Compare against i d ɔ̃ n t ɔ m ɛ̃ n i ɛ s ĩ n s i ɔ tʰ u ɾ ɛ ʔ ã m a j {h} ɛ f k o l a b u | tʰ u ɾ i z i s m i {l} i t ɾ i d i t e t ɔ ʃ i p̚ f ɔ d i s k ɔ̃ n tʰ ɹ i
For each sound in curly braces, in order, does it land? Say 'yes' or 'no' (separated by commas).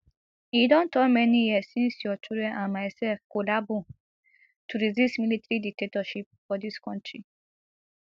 no, yes